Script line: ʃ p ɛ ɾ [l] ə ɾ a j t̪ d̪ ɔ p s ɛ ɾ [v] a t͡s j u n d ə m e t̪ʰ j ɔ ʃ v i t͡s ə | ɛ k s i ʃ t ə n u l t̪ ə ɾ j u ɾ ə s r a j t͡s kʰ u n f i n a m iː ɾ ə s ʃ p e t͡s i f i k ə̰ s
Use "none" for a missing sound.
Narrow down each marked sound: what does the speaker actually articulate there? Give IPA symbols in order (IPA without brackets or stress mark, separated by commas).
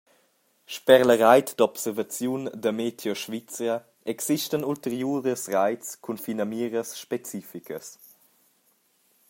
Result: l, v